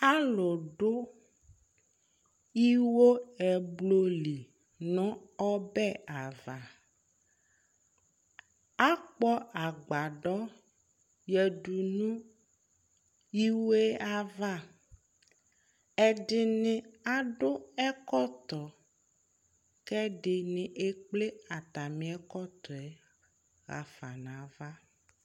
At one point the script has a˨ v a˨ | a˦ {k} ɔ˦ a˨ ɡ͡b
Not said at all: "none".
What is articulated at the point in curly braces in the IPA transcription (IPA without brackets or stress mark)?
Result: k͡p